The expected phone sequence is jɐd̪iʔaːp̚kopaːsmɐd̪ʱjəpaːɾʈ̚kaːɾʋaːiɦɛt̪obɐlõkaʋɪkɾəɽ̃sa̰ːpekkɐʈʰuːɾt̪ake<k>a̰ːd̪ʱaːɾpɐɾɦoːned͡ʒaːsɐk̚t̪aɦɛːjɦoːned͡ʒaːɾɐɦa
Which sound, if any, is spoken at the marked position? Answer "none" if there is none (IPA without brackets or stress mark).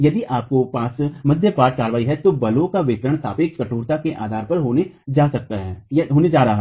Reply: ʔ